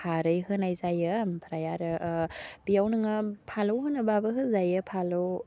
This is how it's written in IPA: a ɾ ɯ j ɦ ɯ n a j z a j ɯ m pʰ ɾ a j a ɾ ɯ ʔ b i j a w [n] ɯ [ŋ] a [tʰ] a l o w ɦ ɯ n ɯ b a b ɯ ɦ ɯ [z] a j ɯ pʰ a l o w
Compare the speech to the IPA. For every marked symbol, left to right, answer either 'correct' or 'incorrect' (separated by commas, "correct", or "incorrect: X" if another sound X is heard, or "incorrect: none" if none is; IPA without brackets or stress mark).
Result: correct, correct, incorrect: pʰ, correct